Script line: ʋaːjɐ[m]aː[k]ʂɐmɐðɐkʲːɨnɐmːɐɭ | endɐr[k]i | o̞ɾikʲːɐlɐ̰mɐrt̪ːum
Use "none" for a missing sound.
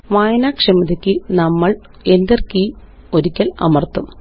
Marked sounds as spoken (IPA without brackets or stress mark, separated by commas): n, k, k